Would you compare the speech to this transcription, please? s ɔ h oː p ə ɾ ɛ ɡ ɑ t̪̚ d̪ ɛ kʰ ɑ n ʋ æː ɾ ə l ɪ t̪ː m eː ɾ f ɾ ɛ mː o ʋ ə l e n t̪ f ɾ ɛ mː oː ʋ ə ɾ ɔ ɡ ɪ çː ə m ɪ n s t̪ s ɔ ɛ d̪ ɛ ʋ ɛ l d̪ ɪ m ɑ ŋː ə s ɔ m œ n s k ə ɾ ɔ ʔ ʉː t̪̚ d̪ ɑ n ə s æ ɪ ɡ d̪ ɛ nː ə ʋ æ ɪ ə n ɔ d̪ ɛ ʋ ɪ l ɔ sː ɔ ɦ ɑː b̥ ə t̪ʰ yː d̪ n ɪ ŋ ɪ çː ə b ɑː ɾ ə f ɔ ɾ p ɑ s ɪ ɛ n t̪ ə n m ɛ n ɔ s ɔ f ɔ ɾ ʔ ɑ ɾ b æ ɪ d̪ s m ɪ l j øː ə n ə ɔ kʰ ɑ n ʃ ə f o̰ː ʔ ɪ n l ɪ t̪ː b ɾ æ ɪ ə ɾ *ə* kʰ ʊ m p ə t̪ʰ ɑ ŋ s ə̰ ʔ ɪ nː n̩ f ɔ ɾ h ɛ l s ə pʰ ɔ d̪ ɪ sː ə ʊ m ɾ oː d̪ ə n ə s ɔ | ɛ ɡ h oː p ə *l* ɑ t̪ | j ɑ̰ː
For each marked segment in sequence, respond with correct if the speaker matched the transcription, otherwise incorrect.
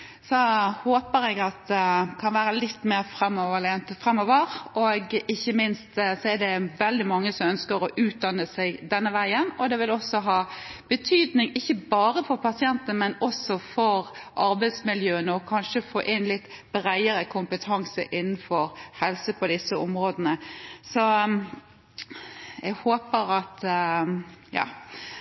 correct, incorrect

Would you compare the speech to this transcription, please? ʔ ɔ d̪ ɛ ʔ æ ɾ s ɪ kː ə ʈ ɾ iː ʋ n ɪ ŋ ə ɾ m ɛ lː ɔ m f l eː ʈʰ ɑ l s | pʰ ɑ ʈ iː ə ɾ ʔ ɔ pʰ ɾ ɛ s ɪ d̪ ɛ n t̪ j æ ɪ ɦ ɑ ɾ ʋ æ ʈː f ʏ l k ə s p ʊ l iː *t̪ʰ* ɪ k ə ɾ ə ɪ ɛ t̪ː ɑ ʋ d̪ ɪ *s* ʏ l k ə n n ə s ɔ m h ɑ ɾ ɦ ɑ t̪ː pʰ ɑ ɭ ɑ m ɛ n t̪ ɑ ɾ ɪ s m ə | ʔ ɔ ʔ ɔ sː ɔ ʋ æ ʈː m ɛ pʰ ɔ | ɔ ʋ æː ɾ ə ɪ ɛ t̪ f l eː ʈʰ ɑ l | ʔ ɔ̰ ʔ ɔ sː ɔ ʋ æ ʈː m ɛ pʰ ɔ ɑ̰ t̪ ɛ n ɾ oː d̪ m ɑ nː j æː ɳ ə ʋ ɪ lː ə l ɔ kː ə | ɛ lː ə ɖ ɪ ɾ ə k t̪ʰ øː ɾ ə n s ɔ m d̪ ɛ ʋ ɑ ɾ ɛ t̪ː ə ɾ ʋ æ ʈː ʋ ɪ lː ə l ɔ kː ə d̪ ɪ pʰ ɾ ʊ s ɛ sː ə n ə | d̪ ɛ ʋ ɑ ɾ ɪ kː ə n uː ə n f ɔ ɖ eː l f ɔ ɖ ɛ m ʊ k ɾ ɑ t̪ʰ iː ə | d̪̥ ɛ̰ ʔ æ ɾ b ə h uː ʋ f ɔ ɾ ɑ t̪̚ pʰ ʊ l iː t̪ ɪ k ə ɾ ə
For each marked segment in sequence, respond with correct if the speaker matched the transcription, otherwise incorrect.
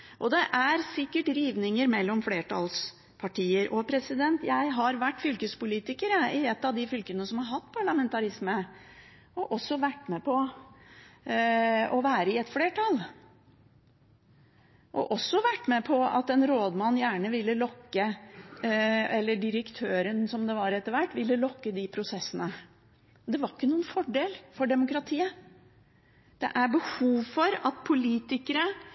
incorrect, incorrect

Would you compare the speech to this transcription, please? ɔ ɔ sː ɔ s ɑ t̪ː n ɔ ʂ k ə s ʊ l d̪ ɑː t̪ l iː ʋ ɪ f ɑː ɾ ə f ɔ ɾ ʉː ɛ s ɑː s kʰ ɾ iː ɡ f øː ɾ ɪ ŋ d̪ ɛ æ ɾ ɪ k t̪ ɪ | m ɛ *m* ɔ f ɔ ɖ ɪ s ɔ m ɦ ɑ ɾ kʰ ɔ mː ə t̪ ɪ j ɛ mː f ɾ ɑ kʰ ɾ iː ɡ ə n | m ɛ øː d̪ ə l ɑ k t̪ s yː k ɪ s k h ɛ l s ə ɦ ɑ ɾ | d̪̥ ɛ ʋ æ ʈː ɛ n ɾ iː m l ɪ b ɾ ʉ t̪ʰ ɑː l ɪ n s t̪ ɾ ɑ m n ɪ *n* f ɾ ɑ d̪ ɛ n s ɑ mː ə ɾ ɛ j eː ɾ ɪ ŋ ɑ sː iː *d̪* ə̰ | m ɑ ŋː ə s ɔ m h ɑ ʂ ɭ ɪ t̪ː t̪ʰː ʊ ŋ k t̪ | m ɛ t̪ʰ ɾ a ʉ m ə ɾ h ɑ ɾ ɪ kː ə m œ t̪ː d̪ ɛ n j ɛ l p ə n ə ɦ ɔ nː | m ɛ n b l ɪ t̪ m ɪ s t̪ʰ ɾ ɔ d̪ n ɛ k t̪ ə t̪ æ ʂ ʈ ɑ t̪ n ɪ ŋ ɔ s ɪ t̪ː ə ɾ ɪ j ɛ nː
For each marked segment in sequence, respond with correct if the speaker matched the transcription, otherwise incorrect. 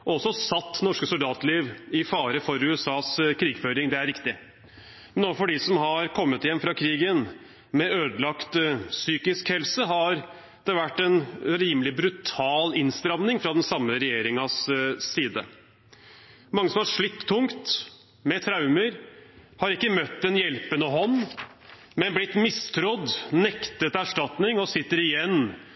incorrect, incorrect, correct

